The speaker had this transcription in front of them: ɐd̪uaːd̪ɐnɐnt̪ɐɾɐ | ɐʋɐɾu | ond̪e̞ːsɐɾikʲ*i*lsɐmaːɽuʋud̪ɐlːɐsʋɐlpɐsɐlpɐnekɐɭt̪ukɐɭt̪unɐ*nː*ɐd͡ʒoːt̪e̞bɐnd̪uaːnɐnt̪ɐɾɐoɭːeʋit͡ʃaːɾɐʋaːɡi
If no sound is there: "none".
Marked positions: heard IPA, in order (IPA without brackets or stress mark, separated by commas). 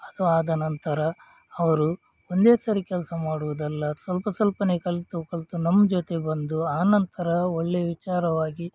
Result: ɛ, mː